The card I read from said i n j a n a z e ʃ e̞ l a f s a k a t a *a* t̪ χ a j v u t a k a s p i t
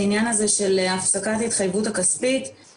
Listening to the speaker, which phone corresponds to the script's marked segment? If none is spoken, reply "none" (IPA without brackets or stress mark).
i